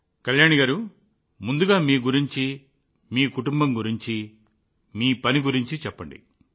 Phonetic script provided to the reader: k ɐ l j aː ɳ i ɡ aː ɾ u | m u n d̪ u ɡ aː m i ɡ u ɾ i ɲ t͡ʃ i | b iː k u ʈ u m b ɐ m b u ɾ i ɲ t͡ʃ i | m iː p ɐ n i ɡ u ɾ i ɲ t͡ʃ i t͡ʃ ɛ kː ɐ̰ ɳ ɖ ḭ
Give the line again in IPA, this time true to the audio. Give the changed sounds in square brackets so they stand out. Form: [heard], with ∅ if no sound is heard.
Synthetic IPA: k ɐ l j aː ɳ i ɡ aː ɾ u | m u n d̪ u ɡ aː m [iː] ɡ u ɾ i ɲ t͡ʃ i | [m] iː k u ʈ u m b ɐ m [ɡ] u ɾ i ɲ t͡ʃ i | m iː p ɐ n i ɡ u ɾ i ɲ t͡ʃ i t͡ʃ ɛ [pː] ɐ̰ ɳ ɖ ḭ